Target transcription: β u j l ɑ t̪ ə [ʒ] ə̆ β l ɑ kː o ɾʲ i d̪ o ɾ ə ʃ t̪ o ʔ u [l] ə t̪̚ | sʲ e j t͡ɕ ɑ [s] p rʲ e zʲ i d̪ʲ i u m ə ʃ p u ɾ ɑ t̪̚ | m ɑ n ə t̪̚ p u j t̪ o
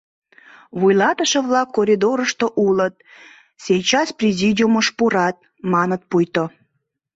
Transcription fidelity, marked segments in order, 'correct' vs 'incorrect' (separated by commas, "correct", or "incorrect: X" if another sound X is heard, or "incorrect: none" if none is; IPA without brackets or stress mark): incorrect: ʃ, correct, correct